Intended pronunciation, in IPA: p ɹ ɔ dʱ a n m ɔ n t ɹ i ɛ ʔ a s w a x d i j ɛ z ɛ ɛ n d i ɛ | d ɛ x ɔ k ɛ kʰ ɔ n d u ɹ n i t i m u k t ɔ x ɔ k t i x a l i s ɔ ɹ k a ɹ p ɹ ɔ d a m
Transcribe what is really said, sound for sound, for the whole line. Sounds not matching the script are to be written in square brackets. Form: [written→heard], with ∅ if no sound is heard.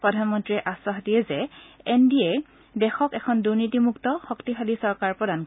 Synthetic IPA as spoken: p ɹ ɔ dʱ a n m ɔ n t ɹ i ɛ ʔ a s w a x d i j ɛ z ɛ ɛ n d i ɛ | d ɛ x ɔ k ɛ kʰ ɔ n d u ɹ n i t i m u k t ɔ x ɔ k t i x a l i s ɔ ɹ k a ɹ p ɹ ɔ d a [m→n]